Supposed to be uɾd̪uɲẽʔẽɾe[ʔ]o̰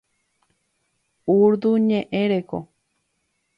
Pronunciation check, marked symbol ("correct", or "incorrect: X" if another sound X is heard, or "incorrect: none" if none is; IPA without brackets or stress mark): incorrect: k